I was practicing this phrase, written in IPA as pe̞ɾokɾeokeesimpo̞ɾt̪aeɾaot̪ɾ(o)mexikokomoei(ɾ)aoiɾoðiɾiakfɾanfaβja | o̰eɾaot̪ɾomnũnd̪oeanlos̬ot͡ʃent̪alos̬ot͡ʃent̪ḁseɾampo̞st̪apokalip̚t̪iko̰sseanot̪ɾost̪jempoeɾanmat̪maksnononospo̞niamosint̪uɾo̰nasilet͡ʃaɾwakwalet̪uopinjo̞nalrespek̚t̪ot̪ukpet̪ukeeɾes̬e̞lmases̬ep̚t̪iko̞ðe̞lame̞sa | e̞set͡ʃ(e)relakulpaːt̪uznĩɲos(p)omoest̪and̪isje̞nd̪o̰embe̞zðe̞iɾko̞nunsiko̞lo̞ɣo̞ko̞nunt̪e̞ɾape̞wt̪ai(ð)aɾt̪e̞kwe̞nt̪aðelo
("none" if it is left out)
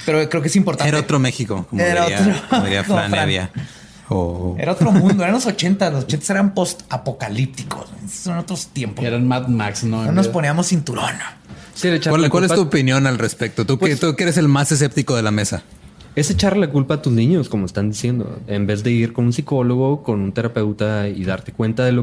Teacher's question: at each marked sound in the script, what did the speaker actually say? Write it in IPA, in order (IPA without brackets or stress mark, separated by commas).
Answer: o, ɾ, a, k, ð